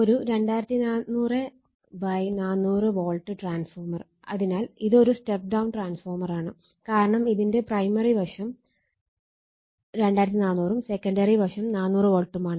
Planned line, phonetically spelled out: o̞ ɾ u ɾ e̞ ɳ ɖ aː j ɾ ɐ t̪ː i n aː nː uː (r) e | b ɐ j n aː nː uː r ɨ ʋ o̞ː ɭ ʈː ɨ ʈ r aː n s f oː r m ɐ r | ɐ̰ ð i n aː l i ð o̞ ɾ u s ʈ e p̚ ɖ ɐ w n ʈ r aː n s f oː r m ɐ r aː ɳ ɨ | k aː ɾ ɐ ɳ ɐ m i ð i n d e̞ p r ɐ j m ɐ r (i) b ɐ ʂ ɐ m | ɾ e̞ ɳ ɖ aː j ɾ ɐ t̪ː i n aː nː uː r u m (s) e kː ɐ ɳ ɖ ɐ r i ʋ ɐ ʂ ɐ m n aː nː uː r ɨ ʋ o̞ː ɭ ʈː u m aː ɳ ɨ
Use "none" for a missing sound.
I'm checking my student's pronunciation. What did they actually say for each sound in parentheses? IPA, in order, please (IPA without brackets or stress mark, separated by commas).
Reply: r, i, s